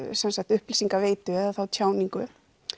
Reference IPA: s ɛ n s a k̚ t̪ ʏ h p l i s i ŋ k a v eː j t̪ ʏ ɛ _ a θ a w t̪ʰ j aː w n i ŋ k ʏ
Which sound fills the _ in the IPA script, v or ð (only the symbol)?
ð